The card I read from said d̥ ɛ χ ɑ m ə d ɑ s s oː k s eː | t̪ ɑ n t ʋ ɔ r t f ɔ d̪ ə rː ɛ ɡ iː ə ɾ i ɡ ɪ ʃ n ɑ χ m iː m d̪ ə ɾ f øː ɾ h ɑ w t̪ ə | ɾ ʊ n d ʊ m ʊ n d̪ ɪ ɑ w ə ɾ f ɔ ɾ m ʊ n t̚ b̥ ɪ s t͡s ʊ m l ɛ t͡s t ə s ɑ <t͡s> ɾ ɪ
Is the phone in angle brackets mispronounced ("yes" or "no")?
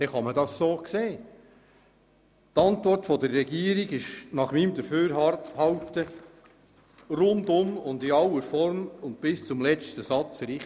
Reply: no